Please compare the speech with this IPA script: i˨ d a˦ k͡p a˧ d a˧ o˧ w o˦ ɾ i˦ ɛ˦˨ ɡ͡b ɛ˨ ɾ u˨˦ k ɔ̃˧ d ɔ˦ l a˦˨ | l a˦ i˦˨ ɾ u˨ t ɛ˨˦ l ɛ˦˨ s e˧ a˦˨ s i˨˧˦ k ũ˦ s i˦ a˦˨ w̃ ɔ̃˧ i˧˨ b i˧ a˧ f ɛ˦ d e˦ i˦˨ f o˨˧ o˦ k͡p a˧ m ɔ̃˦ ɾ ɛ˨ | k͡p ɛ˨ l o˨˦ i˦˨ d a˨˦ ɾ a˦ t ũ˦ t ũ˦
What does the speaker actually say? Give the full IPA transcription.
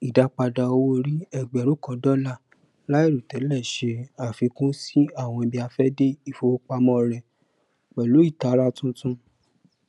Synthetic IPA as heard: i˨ d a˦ k͡p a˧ d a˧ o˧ w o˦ ɾ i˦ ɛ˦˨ ɡ͡b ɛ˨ ɾ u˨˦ k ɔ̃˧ d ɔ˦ l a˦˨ | l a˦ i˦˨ ɾ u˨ t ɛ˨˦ l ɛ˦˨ ʃ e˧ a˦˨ f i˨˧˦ k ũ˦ s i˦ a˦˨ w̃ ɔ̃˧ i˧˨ b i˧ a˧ f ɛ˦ d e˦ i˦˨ f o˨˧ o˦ k͡p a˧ m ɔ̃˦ ɾ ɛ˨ | k͡p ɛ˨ l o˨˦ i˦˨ t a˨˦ ɾ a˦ t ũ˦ t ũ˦